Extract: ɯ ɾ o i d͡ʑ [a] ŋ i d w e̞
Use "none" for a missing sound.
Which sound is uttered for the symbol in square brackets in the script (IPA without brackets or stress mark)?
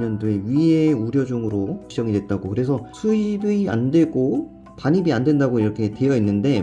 ʌ